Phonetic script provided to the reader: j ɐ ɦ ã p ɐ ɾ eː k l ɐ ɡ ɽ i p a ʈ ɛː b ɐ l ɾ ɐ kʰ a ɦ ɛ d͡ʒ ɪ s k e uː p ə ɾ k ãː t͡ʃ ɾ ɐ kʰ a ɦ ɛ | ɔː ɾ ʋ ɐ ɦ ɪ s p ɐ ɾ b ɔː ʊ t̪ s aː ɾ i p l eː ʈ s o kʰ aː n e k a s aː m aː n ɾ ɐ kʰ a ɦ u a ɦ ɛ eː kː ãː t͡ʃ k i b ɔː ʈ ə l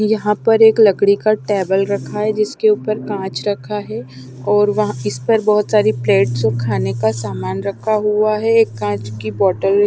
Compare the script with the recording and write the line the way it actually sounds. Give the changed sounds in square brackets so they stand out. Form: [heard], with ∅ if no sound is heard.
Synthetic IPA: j ɐ ɦ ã p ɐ ɾ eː k l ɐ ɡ ɽ i [k] a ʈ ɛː b [ə] l ɾ ɐ kʰ a ɦ ɛ d͡ʒ ɪ s k e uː p ə ɾ k ãː t͡ʃ ɾ ɐ kʰ a ɦ ɛ | ɔː ɾ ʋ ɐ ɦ ɪ s p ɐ ɾ b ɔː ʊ t̪ s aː ɾ i p l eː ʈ s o kʰ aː n e k a s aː m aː n ɾ ɐ kʰ a ɦ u a ɦ ɛ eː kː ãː t͡ʃ k i b ɔː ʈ ə l